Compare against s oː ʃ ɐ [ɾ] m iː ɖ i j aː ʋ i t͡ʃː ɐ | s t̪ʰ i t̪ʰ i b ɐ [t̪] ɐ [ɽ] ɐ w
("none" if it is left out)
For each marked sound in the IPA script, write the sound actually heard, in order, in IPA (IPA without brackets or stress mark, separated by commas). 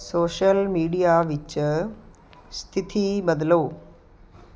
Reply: l, d̪, l